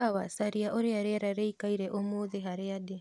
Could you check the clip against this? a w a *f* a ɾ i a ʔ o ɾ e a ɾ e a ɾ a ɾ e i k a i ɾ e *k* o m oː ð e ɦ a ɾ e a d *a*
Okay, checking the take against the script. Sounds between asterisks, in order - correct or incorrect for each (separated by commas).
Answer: incorrect, incorrect, incorrect